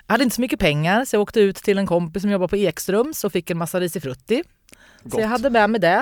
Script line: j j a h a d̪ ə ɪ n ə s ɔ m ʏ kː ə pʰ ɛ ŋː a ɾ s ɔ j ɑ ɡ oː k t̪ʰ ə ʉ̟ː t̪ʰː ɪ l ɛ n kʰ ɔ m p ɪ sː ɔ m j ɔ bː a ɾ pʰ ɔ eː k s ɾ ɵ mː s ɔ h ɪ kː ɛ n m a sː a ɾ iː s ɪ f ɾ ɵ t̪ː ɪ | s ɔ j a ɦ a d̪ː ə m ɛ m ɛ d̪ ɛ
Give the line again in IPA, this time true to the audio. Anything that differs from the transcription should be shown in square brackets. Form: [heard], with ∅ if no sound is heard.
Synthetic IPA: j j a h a d̪ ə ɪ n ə s ɔ m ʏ kː ə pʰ ɛ ŋː a ɾ s ɔ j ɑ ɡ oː k [t̪] ə ʉ̟ː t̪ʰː ɪ l ɛ n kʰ ɔ m p ɪ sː ɔ m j ɔ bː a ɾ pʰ ɔ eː k s ɾ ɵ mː s ɔ [f] ɪ kː ɛ n m a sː a ɾ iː s ɪ f ɾ ɵ t̪ː ɪ | s ɔ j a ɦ a d̪ː ə m ɛ m ɛ d̪ ɛ